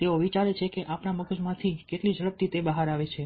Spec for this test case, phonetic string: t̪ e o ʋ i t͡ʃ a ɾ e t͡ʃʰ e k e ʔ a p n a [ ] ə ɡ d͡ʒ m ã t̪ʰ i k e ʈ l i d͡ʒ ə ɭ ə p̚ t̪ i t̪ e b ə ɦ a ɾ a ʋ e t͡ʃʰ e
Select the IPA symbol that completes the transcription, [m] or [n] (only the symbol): m